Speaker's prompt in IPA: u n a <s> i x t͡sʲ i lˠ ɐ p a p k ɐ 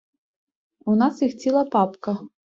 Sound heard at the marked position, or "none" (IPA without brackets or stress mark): s